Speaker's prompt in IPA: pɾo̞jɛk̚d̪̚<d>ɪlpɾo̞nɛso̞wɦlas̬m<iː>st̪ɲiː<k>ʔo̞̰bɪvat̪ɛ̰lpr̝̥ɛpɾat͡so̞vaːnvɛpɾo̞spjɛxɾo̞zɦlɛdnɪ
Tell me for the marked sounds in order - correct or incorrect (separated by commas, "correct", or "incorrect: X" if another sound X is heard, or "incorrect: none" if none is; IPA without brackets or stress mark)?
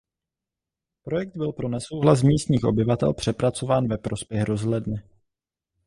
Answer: incorrect: b, correct, incorrect: x